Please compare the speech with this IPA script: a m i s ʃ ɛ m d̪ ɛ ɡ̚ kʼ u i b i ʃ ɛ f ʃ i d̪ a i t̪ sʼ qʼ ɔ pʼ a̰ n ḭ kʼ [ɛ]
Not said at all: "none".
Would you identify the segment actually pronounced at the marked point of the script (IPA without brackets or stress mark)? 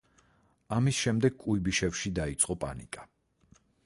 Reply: a